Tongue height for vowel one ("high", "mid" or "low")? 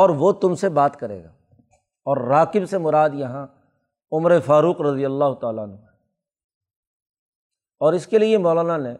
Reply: mid